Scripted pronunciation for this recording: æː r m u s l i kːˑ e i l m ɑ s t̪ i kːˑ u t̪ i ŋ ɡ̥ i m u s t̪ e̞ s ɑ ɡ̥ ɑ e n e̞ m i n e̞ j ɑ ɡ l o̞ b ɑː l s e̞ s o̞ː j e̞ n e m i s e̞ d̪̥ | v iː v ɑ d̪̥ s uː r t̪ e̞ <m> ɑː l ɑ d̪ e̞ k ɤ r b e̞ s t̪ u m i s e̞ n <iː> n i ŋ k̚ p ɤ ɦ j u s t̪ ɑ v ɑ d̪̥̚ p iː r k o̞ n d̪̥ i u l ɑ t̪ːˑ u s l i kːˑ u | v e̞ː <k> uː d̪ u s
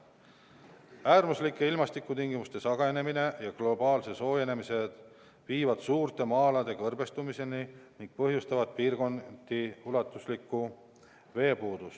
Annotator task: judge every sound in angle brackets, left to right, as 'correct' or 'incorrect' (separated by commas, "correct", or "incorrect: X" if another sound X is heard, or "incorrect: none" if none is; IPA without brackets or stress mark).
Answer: correct, incorrect: i, incorrect: p